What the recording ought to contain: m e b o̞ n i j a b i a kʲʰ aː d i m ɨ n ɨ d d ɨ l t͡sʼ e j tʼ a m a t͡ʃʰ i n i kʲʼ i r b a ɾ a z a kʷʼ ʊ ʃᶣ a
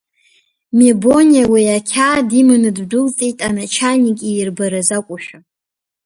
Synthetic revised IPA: m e b o̞ n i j a w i a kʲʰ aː d i m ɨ n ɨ d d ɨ l t͡sʼ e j tʼ a n a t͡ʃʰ a n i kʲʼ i r b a ɾ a z a kʷʼ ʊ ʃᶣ a